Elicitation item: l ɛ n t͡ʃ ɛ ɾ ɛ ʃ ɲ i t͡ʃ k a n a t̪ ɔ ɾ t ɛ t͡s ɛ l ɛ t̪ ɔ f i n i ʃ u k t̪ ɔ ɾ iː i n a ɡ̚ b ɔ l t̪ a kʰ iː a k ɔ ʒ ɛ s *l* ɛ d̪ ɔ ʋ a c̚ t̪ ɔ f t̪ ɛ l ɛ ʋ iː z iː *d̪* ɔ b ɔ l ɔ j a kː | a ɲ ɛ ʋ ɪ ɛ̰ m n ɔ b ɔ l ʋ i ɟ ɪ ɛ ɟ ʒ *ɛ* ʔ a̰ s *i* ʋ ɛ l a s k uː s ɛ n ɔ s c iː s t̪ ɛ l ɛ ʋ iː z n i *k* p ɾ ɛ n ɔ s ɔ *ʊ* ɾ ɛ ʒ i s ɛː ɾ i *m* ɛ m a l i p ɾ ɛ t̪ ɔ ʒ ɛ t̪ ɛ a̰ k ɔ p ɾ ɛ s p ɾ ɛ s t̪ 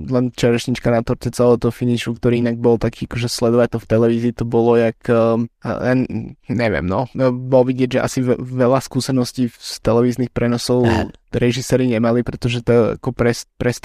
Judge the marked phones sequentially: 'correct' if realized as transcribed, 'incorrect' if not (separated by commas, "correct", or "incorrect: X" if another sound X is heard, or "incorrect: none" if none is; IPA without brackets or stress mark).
correct, incorrect: t̪, correct, correct, incorrect: x, correct, incorrect: ɲ